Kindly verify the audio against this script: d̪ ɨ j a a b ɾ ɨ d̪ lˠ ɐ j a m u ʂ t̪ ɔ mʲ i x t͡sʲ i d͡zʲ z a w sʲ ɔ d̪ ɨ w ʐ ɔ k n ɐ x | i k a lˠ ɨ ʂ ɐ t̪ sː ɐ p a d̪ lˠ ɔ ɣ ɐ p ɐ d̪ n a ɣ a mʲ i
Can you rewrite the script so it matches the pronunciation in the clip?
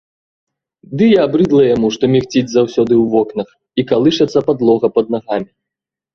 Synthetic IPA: d̪ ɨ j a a b ɾ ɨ d̪ lˠ ɐ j a m u ʂ t̪ ɔ mʲ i x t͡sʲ i d͡zʲ z a w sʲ ɔ d̪ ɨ w v ɔ k n ɐ x | i k a lˠ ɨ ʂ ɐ t̪ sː ɐ p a d̪ lˠ ɔ ɣ ɐ p ɐ d̪ n a ɣ a mʲ i